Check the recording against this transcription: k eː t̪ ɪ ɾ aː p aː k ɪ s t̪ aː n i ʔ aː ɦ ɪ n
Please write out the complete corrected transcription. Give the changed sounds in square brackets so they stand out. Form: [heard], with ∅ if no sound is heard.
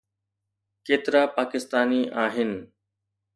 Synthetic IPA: k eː t̪ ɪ ɾ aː p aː k ɪ s t̪ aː n i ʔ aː ɦ ɪ n